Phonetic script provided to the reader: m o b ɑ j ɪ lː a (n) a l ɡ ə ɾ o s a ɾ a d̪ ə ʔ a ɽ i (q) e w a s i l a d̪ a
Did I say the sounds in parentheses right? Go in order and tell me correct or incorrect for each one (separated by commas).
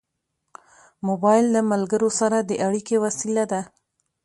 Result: incorrect, incorrect